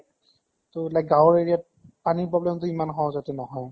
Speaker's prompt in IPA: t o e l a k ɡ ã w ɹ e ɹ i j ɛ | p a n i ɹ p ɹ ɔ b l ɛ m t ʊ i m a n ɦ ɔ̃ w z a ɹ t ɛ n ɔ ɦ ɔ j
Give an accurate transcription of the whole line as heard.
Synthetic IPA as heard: t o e l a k ɡ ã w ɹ e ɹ i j a | p a n i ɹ p ɹ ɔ b l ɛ m t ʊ i m a n ɦ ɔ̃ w z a t ɛ n ɔ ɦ ɔ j